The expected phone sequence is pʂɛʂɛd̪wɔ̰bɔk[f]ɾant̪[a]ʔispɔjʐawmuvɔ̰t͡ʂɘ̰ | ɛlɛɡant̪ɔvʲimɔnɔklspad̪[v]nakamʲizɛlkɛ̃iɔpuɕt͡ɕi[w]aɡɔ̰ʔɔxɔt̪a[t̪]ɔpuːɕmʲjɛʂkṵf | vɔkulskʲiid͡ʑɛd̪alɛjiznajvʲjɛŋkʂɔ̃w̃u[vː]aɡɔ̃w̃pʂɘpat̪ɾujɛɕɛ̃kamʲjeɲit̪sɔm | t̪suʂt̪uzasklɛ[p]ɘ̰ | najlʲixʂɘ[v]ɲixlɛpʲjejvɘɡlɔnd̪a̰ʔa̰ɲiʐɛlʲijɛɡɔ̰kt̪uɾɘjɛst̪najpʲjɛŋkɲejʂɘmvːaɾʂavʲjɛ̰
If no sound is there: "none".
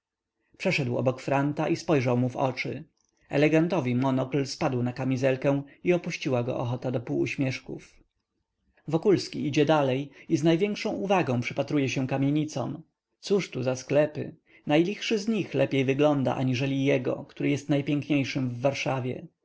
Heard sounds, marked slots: f, a, w, w, d̪, v, p, z

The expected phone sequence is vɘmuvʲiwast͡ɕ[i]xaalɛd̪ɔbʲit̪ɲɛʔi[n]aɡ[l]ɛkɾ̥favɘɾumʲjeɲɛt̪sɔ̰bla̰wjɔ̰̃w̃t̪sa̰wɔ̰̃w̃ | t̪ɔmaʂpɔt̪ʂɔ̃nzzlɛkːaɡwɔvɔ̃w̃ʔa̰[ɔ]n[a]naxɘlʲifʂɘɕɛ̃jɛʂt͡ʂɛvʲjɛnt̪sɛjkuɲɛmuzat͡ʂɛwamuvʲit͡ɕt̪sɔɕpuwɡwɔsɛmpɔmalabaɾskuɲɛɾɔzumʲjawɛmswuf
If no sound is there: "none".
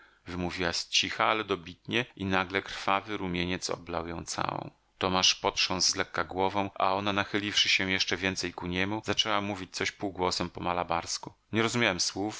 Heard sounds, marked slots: i, n, l, ɔ, a

